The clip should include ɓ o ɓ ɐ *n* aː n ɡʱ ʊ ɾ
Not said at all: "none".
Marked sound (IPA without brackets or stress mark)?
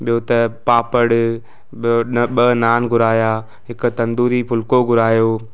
n